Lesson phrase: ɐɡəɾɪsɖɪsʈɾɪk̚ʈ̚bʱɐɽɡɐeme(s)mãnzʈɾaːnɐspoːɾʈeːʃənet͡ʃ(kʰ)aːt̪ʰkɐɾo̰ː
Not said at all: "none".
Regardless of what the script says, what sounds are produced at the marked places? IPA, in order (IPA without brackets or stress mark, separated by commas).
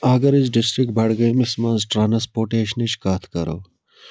s, k